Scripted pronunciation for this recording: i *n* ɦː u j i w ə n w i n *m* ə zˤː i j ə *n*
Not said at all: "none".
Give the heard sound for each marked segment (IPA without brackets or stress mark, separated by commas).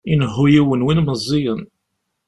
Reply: n, m, n